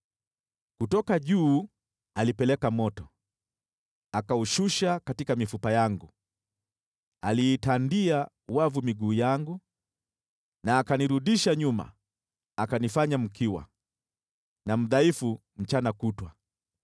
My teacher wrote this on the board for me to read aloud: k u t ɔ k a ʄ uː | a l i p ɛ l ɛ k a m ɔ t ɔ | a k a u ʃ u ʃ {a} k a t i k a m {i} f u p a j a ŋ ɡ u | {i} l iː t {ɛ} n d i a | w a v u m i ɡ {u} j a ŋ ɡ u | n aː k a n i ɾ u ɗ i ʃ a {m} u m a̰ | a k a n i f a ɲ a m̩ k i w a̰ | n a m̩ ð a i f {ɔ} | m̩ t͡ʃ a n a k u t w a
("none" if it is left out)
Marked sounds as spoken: a, i, a, a, uː, ɲ, u

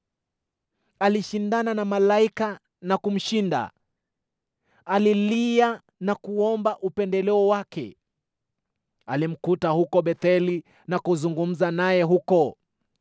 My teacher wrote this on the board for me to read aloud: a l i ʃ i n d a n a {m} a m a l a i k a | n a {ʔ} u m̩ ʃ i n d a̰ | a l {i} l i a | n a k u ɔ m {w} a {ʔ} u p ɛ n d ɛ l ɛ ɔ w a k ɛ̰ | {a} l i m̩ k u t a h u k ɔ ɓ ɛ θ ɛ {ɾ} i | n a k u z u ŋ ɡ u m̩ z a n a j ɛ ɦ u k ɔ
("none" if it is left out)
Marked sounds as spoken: n, k, i, b, ʔ, a, l

